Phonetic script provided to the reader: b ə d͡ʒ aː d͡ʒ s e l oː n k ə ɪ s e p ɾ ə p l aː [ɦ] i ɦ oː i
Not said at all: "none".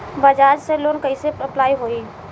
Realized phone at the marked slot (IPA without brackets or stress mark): none